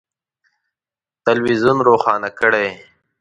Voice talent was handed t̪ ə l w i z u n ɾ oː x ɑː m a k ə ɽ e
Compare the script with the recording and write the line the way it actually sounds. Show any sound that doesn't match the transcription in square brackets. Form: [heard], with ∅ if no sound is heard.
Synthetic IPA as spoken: t̪ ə l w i z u n ɾ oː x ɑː [n] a k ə ɽ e

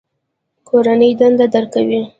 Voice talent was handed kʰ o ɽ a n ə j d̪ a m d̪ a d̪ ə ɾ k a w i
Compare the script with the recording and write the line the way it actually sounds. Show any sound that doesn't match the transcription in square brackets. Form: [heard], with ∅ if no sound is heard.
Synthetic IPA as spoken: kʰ o [ɾ] a n ə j d̪ a [n] d̪ a d̪ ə ɾ k a w i

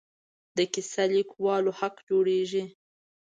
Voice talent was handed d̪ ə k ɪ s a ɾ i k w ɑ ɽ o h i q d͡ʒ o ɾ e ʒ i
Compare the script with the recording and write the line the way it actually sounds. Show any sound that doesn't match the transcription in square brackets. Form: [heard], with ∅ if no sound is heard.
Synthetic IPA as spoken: d̪ ə k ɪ s a [l] i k w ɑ [l] o h [a] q d͡ʒ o [ɽ] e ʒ i

